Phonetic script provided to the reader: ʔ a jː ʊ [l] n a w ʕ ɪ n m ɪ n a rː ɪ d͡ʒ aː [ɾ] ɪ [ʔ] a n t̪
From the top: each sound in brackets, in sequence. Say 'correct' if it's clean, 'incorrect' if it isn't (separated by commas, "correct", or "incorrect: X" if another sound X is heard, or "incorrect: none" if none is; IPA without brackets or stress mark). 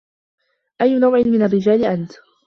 incorrect: none, incorrect: l, correct